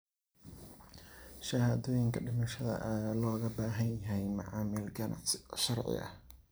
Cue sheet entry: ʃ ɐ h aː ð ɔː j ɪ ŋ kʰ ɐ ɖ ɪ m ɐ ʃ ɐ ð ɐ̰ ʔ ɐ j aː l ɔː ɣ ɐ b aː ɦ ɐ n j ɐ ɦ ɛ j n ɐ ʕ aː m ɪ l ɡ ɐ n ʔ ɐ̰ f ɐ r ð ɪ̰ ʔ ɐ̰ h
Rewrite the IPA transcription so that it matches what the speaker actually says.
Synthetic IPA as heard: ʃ ɐ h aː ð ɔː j ɪ ŋ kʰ ɐ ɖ ɪ m ɐ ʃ ɐ ð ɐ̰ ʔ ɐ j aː l ɔː ɣ ɐ b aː ɦ ɐ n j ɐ ɦ ɛ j m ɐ ʕ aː m ɪ l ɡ ɐ n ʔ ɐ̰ ʃ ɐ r ʕ ɪ̰ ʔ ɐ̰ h